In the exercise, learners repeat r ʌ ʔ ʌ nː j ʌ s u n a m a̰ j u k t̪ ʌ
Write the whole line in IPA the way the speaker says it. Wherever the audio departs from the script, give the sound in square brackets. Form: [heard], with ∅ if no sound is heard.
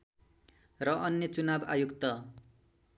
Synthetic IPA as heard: r ʌ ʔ ʌ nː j ʌ [t͡s] u n a [b] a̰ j u k t̪ ʌ